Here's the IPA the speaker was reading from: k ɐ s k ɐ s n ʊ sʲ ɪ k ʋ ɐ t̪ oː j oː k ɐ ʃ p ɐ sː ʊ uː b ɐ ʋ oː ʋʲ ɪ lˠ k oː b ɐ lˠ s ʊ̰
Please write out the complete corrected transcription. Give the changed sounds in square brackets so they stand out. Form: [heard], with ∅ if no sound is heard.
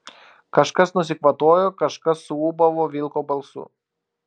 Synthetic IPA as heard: k ɐ [ʃ] k ɐ s n ʊ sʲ ɪ k ʋ ɐ t̪ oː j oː k ɐ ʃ [k] ɐ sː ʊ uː b ɐ ʋ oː ʋʲ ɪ lˠ k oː b ɐ lˠ s ʊ̰